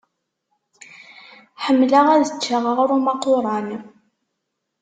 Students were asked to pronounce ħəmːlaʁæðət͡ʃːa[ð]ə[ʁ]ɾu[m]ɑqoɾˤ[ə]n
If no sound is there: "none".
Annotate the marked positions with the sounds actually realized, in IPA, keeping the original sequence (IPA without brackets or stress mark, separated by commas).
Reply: ʁ, ʁ, m, ɑ